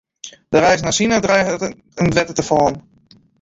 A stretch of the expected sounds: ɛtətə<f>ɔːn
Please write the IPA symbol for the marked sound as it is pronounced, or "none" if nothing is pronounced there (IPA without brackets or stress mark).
f